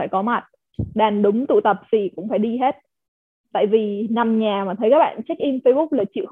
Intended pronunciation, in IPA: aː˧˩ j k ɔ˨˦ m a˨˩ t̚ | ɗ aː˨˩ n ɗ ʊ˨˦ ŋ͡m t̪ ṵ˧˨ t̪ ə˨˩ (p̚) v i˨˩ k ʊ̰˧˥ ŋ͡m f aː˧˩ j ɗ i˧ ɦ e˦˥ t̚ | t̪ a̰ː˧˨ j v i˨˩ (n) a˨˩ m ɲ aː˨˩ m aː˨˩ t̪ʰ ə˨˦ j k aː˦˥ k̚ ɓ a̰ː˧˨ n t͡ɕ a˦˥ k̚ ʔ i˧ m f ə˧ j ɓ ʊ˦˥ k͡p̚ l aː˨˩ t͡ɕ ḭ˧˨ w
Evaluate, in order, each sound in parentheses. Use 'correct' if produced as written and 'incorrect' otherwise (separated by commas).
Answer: correct, correct